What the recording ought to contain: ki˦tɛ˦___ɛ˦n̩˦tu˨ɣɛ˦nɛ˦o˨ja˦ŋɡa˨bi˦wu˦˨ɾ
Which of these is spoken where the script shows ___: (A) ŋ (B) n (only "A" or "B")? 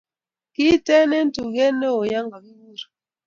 B